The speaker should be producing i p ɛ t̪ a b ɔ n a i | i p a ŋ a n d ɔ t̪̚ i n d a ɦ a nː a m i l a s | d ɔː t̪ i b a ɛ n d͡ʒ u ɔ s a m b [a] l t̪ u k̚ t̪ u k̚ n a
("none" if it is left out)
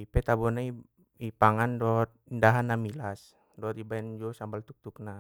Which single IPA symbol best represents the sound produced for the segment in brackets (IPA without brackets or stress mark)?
a